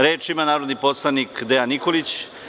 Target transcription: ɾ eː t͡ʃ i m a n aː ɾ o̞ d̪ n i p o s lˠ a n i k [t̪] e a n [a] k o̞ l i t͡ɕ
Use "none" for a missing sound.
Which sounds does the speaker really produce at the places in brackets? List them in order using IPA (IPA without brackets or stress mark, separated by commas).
d̪, i